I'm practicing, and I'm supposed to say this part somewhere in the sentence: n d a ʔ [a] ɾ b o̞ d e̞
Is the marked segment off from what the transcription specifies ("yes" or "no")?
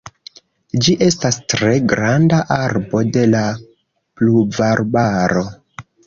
no